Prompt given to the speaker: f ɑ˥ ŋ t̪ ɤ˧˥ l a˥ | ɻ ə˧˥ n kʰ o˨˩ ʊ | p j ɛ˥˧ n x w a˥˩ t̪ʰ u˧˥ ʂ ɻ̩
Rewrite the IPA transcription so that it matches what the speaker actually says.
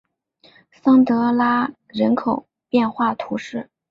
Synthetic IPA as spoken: s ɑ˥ ŋ t̪ ɤ˧˥ l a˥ | ɻ ə˧˥ n kʰ o˨˩ ʊ | p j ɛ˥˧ n x w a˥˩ t̪ʰ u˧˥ ʂ ɻ̩